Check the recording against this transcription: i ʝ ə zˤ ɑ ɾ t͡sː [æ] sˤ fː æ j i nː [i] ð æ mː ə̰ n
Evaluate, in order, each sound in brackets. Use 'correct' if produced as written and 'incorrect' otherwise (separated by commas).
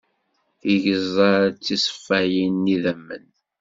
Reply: incorrect, correct